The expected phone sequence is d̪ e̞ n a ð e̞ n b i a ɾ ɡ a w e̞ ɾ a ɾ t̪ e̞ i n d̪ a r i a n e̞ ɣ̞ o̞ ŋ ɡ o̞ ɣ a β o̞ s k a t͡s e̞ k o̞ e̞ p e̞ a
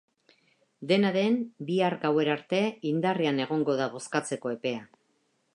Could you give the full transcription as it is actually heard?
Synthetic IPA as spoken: d̪ e̞ n a ð e̞ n b i a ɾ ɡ a w e̞ ɾ a ɾ t̪ e̞ i n d̪ a r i a n e̞ ɣ̞ o̞ ŋ ɡ o̞ ð a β o̞ s k a t͡s e̞ k o̞ e̞ p e̞ a